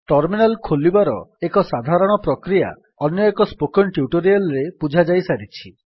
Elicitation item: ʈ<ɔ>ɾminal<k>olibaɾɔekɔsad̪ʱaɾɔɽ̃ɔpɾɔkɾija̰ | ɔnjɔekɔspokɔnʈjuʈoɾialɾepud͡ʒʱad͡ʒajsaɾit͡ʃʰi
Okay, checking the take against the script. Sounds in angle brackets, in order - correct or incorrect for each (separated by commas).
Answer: correct, incorrect